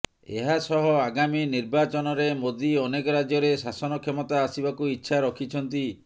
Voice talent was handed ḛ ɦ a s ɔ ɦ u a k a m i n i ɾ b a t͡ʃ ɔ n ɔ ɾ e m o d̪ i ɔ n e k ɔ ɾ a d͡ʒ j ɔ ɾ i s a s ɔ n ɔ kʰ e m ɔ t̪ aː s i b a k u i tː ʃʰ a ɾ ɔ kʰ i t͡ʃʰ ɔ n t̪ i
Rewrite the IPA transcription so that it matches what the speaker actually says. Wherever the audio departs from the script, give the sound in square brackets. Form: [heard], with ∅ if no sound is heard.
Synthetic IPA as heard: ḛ ɦ a s ɔ ɦ [ɔ] a [ɡ] a m i n i ɾ b a t͡ʃ ɔ n ɔ ɾ e m o d̪ i ɔ n e k ɔ ɾ a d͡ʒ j ɔ ɾ [e] s a s ɔ n ɔ kʰ e m ɔ t̪ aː s i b a k u i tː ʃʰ a ɾ ɔ kʰ i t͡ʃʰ ɔ n t̪ i